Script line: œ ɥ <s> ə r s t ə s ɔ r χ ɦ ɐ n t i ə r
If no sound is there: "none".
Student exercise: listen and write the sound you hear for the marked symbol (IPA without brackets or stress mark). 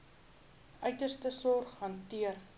t